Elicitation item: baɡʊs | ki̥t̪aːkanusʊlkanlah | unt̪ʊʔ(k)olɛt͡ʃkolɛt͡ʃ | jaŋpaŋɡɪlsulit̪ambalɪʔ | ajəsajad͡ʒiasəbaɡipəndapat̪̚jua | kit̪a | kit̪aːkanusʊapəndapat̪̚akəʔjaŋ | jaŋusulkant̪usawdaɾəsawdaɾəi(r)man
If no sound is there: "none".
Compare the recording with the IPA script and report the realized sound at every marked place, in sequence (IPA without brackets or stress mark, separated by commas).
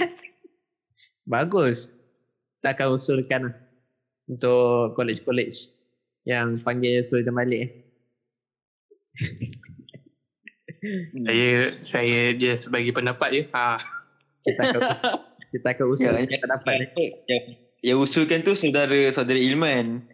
k, l